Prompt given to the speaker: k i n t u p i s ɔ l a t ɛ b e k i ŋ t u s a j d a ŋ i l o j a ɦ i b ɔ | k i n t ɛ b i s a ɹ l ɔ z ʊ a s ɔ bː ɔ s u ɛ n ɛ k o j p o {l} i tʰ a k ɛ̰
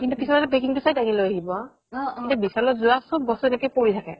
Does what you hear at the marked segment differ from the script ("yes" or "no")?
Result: yes